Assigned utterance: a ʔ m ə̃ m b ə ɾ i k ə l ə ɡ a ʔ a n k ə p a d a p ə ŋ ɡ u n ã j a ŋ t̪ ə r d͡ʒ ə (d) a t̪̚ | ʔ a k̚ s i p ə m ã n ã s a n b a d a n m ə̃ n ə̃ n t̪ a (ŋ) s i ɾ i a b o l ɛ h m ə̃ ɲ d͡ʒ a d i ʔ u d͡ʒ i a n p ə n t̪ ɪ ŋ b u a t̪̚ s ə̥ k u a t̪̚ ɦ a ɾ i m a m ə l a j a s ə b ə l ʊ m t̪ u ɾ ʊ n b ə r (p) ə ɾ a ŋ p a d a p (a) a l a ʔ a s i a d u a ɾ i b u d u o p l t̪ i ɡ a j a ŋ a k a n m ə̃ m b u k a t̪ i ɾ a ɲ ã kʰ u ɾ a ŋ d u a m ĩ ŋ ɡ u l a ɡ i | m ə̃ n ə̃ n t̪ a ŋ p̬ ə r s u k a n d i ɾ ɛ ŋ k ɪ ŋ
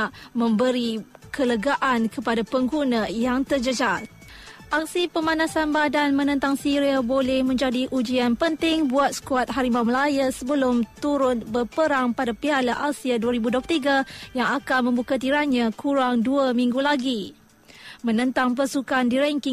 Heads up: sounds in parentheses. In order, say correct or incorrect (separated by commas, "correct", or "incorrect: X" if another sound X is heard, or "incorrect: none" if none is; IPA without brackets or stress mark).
incorrect: d͡ʒ, correct, correct, incorrect: i